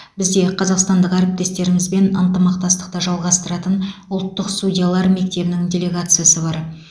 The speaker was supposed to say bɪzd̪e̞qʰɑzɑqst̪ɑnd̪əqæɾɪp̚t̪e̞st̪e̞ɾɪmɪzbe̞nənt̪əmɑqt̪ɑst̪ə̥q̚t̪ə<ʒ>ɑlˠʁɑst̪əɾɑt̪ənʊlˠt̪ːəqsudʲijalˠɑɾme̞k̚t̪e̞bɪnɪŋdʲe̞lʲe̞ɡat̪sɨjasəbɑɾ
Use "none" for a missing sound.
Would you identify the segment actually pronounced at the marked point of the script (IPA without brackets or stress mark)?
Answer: ʒ